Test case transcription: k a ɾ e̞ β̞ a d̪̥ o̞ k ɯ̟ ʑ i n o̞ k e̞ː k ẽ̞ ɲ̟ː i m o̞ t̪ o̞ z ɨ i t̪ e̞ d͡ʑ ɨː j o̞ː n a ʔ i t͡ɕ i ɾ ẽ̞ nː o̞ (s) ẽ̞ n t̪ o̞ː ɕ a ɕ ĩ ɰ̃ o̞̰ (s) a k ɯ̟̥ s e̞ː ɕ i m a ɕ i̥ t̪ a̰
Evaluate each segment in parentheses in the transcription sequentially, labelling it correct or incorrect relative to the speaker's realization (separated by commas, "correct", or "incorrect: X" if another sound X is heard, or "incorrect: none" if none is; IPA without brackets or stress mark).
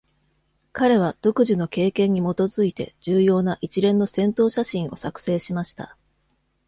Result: correct, correct